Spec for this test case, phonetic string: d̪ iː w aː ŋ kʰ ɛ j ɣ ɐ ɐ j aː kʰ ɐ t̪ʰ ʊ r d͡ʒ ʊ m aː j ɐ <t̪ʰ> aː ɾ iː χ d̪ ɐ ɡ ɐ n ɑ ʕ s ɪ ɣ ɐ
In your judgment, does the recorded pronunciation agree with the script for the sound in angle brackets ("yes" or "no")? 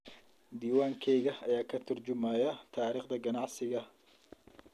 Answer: yes